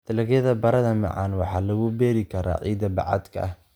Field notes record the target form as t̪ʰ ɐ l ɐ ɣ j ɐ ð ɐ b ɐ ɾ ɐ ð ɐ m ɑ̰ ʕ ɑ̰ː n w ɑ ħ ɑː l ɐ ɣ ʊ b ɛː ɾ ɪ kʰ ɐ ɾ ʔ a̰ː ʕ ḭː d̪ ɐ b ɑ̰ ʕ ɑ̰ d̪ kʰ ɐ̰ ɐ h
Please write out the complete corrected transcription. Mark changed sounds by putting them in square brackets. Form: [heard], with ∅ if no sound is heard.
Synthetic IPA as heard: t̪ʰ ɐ l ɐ ɣ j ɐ ð ɐ b ɐ ɾ ɐ ð ɐ m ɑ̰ ʕ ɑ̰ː n w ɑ ħ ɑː l ɐ ɣ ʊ b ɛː ɾ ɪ kʰ ɐ ɾ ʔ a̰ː ʕ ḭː d̪ ɐ b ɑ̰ ʕ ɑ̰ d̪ kʰ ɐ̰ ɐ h

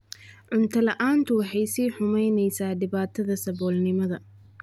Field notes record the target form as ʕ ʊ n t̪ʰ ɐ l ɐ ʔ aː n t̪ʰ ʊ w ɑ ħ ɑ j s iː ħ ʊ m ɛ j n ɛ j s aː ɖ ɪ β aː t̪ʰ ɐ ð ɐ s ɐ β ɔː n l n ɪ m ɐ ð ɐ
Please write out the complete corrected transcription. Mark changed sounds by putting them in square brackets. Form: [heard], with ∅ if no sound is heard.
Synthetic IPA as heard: ʕ ʊ n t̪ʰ ɐ l ɐ ʔ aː n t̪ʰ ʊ w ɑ ħ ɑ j s iː ħ ʊ m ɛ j n ɛ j s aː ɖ ɪ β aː t̪ʰ ɐ ð ɐ s ɐ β ɔː [∅] l n ɪ m ɐ ð ɐ

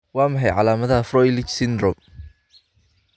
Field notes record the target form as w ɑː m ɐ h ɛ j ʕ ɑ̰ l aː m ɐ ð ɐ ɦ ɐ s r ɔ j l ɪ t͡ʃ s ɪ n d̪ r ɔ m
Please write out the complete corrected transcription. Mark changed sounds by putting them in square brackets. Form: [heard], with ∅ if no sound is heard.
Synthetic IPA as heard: w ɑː m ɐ [ħ] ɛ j ʕ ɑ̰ l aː m ɐ ð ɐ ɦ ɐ [f] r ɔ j l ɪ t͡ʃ s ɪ n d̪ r ɔ m

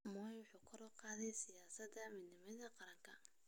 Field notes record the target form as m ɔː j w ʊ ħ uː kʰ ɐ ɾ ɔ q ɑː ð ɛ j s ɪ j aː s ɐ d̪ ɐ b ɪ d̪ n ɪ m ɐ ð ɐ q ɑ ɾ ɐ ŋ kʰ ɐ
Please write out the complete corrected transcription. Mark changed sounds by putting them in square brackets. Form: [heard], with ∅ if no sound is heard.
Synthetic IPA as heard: m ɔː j w ʊ ħ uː kʰ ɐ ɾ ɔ q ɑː ð ɛ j s ɪ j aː s ɐ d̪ ɐ [m] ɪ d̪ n ɪ m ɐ ð ɐ q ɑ ɾ ɐ ŋ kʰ ɐ

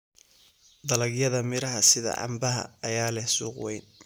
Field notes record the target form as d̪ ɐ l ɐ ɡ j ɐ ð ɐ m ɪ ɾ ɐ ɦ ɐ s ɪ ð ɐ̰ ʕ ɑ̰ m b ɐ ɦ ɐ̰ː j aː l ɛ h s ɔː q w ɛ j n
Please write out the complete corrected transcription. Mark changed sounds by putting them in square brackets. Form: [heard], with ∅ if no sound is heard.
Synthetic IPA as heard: d̪ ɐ l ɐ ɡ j ɐ ð ɐ m ɪ ɾ ɐ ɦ ɐ s ɪ ð ɐ̰ ʕ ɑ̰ m b ɐ ɦ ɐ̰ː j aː l ɛ h s [uː] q w ɛ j n

